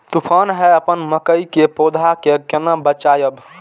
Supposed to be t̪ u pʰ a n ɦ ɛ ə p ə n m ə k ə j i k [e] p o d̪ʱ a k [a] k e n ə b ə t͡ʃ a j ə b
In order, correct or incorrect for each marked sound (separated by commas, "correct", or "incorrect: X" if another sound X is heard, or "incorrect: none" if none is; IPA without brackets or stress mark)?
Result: correct, incorrect: e